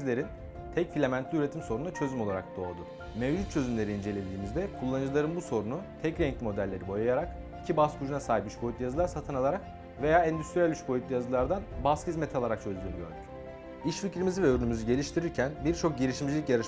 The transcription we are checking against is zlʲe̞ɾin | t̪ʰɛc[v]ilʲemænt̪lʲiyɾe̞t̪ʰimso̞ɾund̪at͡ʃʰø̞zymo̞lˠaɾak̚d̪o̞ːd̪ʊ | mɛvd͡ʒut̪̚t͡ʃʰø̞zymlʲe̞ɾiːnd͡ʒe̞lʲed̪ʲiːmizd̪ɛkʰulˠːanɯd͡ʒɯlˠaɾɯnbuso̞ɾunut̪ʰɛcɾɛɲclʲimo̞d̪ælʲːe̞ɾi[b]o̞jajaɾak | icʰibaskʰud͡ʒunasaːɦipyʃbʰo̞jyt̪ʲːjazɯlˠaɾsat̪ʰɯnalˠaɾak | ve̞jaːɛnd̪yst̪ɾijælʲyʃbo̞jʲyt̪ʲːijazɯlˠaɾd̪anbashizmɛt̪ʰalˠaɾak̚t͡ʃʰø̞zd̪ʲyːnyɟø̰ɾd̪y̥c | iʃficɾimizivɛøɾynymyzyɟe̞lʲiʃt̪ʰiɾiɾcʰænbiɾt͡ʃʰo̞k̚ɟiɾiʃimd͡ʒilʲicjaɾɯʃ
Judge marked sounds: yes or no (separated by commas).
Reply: no, yes